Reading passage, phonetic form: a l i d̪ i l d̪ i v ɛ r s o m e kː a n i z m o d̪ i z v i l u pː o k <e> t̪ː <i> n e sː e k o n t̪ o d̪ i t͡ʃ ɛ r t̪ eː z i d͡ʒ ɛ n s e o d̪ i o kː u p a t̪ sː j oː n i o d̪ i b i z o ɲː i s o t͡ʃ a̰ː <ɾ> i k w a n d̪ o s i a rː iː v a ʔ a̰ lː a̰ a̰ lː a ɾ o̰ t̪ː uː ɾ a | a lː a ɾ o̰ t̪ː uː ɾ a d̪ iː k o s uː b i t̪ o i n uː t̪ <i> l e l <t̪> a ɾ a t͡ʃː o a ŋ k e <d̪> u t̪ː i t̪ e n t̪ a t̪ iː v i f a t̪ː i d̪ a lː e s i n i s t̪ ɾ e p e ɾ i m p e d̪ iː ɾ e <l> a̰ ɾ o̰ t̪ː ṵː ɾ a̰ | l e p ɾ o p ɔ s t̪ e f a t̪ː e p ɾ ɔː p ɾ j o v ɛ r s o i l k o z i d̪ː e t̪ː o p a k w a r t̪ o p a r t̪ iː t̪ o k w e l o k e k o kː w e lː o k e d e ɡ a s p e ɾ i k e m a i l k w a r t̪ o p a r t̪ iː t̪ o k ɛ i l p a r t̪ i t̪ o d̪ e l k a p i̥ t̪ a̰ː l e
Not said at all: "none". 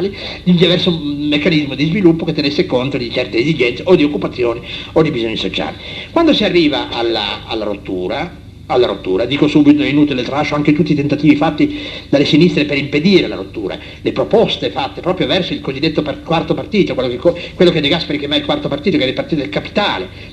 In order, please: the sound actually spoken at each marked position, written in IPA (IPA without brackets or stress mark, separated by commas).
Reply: e, e, l, i, t̪, t̪, l